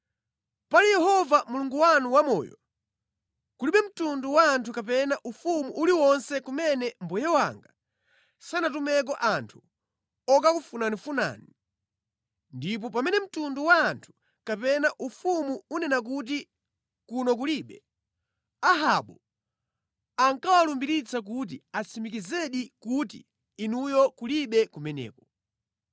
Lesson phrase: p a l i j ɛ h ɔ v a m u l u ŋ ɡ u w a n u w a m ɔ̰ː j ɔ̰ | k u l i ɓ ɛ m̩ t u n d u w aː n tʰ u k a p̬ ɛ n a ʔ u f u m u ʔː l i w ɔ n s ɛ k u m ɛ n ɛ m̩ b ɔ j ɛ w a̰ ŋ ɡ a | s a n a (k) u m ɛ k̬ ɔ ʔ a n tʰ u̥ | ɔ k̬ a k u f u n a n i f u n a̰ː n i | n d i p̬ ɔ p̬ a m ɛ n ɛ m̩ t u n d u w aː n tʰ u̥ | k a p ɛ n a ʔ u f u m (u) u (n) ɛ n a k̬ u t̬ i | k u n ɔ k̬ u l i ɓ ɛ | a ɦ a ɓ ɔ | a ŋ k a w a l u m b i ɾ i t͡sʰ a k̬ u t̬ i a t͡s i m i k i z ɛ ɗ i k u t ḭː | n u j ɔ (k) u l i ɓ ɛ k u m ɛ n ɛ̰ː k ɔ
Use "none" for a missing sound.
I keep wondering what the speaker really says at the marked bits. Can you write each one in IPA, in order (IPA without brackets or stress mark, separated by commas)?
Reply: t, u, n, k